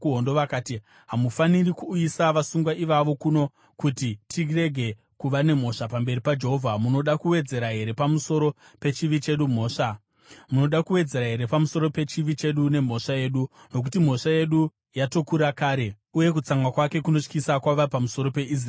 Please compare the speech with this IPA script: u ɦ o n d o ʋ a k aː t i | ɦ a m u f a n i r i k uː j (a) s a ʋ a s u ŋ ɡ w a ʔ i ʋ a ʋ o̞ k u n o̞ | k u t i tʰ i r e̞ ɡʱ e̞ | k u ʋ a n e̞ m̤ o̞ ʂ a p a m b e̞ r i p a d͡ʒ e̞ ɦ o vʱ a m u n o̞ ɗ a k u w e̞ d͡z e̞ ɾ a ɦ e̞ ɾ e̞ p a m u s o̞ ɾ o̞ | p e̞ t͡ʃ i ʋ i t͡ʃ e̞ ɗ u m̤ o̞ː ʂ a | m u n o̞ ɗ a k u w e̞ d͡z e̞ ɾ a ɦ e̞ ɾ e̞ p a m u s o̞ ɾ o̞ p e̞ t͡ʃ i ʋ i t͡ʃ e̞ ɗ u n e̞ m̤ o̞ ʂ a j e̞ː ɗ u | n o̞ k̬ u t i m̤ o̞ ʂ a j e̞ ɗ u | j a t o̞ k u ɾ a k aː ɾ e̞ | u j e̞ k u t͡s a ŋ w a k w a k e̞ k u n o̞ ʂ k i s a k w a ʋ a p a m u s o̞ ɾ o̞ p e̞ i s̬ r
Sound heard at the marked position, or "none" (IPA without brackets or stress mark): i